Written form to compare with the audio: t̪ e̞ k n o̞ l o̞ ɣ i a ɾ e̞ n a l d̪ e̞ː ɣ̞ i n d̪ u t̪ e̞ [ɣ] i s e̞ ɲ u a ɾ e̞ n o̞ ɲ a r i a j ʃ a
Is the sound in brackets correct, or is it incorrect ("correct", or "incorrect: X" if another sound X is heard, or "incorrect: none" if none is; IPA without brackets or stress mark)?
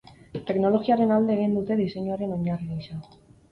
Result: incorrect: ð